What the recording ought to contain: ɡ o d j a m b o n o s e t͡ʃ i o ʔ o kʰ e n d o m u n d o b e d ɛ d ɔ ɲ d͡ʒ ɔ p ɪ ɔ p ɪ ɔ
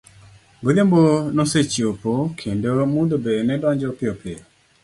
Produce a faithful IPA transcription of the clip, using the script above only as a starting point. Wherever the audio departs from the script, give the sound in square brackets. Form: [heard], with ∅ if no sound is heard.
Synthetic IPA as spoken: ɡ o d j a m b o n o s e t͡ʃ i o [p] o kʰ e n d o m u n d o b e [n] ɛ d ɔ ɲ d͡ʒ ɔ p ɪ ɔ p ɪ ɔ